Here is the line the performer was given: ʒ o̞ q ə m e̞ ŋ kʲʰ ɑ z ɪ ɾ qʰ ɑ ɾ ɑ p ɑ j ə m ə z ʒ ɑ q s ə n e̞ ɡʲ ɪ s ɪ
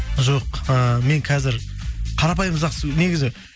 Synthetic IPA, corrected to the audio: ʒ o̞ q ə m e̞ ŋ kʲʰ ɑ z ɪ ɾ qʰ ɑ ɾ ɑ p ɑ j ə m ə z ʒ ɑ q s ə n e̞ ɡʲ ɪ z ɪ